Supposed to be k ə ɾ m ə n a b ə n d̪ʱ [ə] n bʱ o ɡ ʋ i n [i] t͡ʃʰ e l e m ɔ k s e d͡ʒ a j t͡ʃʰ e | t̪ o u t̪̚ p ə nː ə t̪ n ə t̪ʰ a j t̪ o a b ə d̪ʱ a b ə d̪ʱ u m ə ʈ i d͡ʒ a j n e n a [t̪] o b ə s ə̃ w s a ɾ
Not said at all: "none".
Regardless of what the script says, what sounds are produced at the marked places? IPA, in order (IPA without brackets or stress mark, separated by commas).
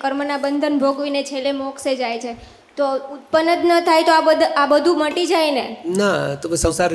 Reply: ə, e, t̪